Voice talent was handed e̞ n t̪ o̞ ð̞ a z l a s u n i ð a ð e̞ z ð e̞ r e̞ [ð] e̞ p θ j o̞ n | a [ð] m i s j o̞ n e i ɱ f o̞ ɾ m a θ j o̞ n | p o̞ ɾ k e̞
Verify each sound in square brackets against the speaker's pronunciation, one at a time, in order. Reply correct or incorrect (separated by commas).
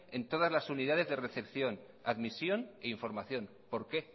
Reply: incorrect, correct